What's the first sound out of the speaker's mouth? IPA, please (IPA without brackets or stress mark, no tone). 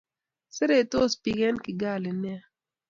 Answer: s